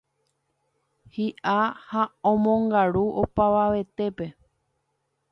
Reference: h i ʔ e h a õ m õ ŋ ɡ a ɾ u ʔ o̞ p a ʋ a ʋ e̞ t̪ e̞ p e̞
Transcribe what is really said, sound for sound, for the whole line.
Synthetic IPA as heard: h i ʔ a h a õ m õ ŋ ɡ a ɾ u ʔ o̞ p a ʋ a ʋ e̞ t̪ e̞ p e̞